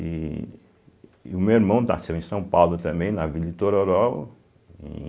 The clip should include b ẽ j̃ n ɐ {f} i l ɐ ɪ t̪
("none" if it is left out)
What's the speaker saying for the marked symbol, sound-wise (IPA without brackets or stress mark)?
v